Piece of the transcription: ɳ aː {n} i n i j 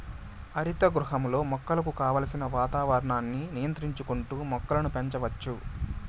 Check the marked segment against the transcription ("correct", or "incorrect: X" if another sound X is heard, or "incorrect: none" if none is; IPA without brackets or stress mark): incorrect: nː